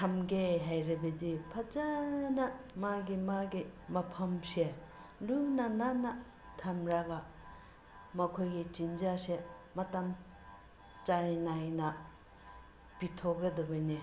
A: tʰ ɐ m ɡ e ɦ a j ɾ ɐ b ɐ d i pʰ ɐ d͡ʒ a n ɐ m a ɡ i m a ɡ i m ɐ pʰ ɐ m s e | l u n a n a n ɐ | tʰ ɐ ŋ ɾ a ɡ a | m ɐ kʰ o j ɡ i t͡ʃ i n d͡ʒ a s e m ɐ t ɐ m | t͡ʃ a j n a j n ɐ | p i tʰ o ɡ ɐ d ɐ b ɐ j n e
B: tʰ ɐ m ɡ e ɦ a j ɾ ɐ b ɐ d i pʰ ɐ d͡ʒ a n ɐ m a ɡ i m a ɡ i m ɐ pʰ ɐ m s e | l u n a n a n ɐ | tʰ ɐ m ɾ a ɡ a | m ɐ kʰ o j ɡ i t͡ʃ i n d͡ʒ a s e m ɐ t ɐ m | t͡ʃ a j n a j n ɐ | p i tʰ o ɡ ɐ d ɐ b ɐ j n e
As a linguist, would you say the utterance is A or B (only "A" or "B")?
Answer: B